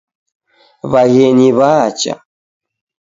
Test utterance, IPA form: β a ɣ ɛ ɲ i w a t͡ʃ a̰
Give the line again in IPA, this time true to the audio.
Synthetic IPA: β a ɣ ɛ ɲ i β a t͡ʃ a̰